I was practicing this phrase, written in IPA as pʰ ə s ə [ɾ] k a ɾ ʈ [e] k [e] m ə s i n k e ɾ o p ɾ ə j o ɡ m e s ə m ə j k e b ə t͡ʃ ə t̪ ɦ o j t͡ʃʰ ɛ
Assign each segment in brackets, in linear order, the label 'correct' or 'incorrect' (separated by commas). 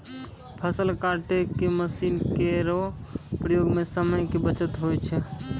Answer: incorrect, correct, correct